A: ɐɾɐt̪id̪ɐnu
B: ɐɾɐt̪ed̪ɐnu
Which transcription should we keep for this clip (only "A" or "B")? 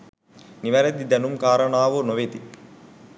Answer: A